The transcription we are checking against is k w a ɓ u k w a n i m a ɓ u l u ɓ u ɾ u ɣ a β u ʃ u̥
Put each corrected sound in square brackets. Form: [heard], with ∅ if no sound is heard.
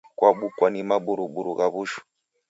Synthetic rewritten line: k w a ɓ u k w a n i m a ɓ u [ɾ] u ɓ u ɾ u ɣ a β u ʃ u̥